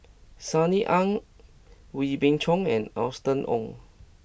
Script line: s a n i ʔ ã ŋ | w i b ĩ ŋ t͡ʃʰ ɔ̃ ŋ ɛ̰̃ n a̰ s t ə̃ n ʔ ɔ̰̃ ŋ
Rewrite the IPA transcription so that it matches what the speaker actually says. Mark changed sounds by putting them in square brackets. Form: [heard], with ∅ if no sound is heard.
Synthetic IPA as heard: s a n i ʔ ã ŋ | w i b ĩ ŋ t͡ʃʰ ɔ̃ ŋ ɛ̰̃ n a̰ s t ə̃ n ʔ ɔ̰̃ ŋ